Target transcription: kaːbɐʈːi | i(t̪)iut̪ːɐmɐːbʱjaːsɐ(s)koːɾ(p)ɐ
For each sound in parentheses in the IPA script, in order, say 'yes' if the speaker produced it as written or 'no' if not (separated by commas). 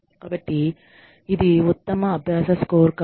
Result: no, yes, no